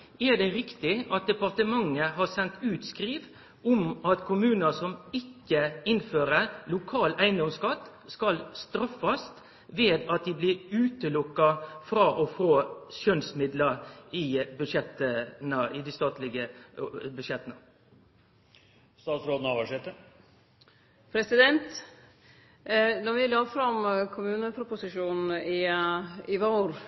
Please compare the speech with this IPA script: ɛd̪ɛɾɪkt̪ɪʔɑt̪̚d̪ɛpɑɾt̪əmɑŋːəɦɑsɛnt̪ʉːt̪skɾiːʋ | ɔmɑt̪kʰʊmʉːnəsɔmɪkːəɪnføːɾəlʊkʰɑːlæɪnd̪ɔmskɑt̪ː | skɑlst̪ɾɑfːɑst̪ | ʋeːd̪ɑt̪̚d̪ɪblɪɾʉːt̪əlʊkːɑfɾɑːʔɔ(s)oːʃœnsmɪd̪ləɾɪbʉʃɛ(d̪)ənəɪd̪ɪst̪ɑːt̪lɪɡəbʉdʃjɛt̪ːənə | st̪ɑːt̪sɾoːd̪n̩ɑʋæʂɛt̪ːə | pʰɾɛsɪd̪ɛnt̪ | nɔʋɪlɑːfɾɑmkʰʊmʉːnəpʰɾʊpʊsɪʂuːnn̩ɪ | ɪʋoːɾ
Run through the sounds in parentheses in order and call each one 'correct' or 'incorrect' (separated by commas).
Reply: incorrect, incorrect